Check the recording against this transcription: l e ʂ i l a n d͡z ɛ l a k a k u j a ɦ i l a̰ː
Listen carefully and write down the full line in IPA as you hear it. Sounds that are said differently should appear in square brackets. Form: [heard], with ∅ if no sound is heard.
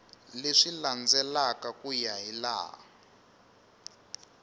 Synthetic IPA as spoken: l e ʂ i l a n d͡z ɛ l a k a k u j a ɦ i l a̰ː